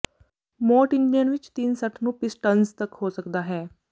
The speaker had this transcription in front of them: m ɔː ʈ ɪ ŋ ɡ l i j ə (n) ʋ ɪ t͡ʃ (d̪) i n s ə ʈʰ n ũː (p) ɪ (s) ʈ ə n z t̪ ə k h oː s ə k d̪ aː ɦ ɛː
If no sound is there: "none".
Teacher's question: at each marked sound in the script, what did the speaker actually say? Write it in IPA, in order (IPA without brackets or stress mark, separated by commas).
n, t̪, p, s